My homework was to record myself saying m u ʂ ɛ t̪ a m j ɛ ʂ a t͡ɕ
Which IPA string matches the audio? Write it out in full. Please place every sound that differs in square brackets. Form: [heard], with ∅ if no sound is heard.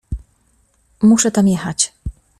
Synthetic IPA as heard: m u ʂ ɛ t̪ a m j ɛ [x] a t͡ɕ